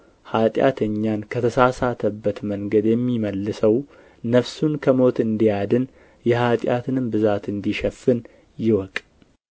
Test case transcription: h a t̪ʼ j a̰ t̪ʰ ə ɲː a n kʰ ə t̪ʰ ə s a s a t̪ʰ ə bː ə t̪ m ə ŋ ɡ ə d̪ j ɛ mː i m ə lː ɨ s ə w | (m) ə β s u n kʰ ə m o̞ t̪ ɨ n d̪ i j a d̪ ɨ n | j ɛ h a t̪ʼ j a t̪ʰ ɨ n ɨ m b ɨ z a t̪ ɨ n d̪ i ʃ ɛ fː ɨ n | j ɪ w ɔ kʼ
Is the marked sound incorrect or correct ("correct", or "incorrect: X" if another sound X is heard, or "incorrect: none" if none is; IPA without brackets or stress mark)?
incorrect: n